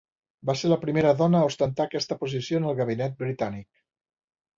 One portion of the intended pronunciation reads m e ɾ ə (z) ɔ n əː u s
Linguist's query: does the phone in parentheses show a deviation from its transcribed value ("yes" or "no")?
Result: yes